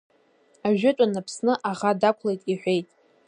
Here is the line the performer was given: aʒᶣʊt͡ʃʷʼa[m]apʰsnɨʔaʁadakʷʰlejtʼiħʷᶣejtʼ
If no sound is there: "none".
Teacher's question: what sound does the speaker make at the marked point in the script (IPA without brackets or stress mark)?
n